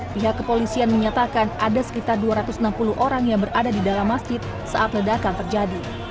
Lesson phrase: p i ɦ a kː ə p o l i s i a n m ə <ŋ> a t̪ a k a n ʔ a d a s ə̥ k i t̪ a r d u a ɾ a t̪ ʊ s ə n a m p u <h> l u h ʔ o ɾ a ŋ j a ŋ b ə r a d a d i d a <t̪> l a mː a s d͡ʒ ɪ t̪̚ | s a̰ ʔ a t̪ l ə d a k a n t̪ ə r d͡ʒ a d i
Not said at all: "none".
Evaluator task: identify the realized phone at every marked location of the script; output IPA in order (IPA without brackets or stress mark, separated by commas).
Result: ɲ, none, none